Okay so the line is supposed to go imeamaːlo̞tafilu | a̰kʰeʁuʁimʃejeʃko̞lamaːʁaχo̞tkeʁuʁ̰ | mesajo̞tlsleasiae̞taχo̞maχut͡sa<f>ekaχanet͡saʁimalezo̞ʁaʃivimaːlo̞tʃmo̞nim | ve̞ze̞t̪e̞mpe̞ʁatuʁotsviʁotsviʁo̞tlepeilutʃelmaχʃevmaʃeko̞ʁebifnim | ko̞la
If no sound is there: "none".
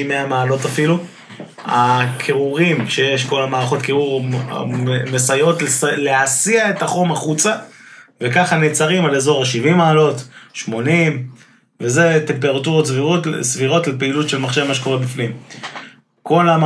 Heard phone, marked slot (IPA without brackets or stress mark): v